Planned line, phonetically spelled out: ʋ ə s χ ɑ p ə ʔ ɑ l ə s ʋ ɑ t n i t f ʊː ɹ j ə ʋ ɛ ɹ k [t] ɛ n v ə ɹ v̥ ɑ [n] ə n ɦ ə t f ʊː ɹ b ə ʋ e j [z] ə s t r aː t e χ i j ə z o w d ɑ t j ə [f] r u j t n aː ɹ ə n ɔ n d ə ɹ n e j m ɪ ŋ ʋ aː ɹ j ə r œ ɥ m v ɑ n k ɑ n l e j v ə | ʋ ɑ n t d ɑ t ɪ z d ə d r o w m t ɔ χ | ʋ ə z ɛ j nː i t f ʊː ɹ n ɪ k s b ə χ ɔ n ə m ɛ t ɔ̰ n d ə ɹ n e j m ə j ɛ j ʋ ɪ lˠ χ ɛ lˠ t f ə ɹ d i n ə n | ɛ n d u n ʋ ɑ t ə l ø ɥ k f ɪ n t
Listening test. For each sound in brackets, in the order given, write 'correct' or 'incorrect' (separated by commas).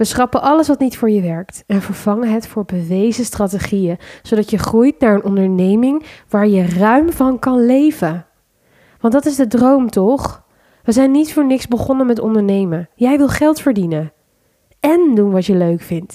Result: correct, incorrect, correct, incorrect